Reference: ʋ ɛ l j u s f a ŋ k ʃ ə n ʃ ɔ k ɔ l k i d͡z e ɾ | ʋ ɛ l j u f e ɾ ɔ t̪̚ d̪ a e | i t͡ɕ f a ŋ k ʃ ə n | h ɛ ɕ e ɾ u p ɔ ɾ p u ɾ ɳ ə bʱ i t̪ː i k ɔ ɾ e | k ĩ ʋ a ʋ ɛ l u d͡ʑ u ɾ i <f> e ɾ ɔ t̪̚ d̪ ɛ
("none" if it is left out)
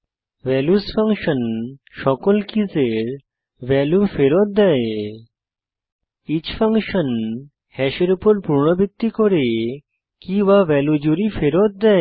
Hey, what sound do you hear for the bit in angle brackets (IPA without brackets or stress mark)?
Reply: f